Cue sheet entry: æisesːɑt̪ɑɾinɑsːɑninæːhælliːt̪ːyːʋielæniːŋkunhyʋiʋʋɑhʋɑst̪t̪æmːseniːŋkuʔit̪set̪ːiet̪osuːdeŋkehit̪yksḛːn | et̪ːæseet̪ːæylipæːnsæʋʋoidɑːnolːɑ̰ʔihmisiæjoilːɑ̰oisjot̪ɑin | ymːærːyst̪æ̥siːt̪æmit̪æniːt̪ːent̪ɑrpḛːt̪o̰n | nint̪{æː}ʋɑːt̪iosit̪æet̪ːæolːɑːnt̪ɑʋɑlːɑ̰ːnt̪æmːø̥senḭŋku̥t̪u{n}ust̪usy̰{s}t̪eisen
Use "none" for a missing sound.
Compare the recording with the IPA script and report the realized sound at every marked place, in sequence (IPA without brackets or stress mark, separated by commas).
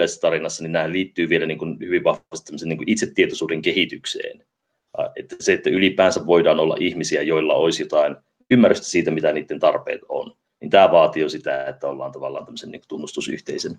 æː, nː, h